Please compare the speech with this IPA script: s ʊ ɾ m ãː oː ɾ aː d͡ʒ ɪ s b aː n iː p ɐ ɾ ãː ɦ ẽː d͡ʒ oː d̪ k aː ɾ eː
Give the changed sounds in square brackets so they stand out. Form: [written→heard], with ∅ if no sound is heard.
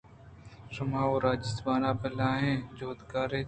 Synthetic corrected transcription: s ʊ [ɾ→∅] m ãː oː ɾ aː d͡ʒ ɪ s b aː n [iː→aː] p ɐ [ɾ→l] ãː ɦ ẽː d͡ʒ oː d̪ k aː ɾ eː